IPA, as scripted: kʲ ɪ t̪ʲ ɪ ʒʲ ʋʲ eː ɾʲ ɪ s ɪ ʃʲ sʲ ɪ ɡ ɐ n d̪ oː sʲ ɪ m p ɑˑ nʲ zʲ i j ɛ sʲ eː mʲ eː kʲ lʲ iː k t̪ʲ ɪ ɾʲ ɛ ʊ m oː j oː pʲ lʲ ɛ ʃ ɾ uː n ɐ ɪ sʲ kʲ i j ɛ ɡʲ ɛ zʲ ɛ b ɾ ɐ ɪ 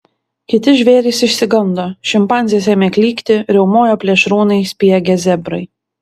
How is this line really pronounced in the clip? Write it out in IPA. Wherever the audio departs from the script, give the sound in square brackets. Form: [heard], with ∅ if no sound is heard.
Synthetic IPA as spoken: kʲ ɪ t̪ʲ ɪ ʒʲ ʋʲ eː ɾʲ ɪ s ɪ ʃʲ sʲ ɪ ɡ ɐ n d̪ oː [ʃʲ] ɪ m p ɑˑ nʲ zʲ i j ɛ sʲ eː mʲ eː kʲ lʲ iː k t̪ʲ ɪ ɾʲ ɛ ʊ m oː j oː pʲ lʲ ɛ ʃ ɾ uː n ɐ ɪ sʲ [pʲ] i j ɛ ɡʲ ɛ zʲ ɛ b ɾ ɐ ɪ